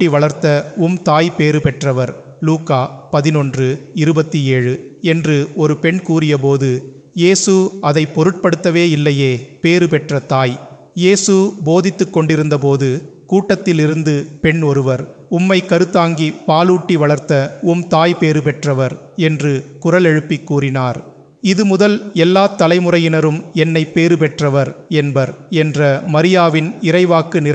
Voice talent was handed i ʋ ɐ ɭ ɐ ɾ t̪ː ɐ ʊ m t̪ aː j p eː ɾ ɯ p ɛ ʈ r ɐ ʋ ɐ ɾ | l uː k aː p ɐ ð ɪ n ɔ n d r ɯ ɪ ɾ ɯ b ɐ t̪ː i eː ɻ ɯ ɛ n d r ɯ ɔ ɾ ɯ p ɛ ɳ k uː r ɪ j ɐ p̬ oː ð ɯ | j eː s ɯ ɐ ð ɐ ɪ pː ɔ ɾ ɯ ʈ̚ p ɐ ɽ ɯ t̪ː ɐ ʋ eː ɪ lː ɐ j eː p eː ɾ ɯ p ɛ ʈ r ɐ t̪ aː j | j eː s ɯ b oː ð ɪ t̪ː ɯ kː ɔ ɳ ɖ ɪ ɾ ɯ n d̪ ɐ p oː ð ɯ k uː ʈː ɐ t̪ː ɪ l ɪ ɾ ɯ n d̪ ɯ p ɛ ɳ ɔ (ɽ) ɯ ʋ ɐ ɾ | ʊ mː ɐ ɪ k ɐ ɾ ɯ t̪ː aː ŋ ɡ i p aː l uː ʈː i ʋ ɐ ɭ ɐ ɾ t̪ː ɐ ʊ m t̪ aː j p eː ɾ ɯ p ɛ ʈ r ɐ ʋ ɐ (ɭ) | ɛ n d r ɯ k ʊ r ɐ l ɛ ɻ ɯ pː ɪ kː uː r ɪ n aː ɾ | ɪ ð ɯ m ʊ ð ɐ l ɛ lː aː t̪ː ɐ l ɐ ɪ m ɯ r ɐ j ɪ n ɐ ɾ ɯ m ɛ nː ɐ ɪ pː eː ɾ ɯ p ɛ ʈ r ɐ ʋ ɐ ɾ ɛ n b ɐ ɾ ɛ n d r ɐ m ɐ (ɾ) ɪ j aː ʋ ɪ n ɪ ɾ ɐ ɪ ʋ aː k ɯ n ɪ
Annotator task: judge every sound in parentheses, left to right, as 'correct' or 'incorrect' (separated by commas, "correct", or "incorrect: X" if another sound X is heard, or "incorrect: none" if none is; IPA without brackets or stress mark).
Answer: incorrect: ɾ, incorrect: ɾ, correct